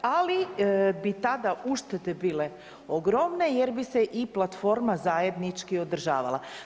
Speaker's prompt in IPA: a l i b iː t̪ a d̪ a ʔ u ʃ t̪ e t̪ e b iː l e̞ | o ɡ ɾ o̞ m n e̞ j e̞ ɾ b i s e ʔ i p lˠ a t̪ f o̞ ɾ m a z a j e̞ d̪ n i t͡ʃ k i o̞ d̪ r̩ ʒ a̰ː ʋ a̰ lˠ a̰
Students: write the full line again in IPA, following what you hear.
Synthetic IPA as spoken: a l i b i t̪ a d̪ a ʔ u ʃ t̪ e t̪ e b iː l e̞ | o ɡ ɾ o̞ m n e̞ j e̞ ɾ b i s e ʔ i p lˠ a t̪ f o̞ ɾ m a z a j e̞ d̪ n i t͡ʃ k i o̞ d̪ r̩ ʒ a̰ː ʋ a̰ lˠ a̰